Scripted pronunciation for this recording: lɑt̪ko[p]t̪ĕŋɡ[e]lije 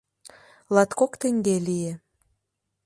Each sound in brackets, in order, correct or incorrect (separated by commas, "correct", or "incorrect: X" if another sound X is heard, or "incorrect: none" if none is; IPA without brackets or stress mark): incorrect: k, correct